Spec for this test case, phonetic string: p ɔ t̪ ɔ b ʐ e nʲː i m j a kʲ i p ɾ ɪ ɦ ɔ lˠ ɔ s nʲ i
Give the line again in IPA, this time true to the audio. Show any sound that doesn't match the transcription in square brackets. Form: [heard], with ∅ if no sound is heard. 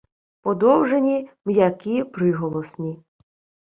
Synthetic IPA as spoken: p ɔ [d̪] ɔ [w] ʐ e [nʲ] i m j a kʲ i p ɾ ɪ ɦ ɔ lˠ ɔ s nʲ i